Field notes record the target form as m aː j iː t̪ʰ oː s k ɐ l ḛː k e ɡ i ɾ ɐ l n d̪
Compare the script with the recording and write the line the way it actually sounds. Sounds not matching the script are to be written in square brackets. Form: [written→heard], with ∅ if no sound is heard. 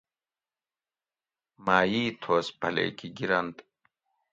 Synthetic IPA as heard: m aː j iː t̪ʰ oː s [k→p] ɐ l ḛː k [e→i] ɡ i ɾ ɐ [l→∅] n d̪